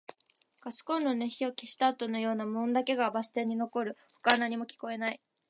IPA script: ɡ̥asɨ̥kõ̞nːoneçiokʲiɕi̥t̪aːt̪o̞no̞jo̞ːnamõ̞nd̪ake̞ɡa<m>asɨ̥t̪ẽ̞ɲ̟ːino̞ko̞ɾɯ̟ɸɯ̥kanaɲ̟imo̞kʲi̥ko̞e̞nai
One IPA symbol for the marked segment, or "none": b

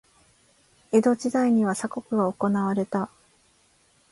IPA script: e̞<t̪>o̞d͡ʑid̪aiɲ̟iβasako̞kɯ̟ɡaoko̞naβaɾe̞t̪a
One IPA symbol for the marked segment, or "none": d̪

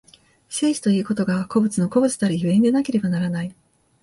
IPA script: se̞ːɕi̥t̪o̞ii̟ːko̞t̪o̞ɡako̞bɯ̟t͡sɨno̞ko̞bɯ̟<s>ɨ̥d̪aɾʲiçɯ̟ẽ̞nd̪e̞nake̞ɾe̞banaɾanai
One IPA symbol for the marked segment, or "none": t͡s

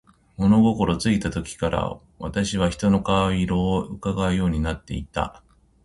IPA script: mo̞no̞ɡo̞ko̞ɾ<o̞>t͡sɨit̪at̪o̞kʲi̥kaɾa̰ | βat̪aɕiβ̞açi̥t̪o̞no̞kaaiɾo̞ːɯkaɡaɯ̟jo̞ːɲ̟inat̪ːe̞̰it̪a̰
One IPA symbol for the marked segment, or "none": o̞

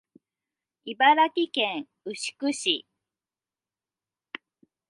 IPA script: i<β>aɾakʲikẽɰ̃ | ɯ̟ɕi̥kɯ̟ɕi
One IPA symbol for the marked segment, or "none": b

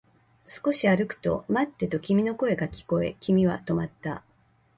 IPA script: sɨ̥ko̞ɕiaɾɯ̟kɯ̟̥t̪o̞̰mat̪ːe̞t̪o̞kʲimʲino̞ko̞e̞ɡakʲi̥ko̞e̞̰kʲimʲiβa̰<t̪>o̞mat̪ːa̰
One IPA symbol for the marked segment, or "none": t̪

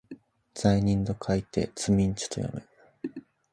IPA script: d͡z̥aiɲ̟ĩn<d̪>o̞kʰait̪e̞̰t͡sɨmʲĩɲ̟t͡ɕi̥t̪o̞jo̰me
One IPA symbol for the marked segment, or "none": d̪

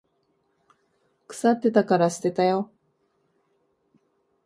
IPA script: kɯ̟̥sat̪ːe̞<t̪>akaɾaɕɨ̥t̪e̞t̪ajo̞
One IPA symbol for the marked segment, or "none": t̪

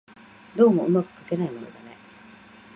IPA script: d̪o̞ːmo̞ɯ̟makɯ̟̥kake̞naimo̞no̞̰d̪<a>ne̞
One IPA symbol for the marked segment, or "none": a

